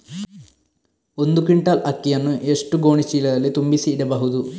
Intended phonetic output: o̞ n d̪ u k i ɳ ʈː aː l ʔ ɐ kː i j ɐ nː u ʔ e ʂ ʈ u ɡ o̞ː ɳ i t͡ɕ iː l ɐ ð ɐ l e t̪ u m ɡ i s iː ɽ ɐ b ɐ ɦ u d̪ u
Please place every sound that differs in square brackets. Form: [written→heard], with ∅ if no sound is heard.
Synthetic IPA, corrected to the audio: o̞ n d̪ u k i ɳ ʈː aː l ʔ ɐ kː i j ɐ nː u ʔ e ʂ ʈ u ɡ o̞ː ɳ i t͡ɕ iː l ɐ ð ɐ l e t̪ u m [ɡ→b] i s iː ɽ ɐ b ɐ ɦ u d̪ u